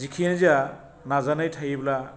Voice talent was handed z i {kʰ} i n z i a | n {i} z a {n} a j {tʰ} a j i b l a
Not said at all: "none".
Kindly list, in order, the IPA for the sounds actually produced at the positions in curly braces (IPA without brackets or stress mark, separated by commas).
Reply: kʰ, a, n, tʰ